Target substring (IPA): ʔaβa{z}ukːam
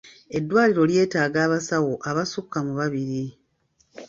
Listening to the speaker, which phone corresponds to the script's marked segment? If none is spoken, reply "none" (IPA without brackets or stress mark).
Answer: s